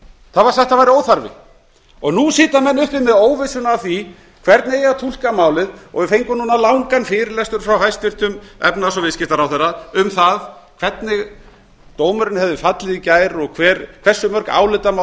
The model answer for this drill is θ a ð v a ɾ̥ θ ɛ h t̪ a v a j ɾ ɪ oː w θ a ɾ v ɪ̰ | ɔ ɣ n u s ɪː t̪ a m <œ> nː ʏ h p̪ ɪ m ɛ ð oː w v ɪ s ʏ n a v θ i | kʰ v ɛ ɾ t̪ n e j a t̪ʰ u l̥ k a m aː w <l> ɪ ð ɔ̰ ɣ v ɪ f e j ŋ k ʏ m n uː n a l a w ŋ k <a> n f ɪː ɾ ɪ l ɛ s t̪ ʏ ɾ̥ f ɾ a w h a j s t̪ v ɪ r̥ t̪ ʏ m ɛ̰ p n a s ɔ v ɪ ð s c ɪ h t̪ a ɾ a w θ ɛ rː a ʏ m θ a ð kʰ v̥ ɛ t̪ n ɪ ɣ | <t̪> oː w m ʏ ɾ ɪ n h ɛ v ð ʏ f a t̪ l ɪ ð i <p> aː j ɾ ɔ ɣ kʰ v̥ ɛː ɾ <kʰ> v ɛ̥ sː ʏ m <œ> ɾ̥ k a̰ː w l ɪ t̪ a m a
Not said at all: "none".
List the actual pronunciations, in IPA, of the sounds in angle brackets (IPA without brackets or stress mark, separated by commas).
ɛ, l, a, t̪, c, kʰ, œ